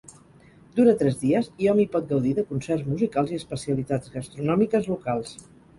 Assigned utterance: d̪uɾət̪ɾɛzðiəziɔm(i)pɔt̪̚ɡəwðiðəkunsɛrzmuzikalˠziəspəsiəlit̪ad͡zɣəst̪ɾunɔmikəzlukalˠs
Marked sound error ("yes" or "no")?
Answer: no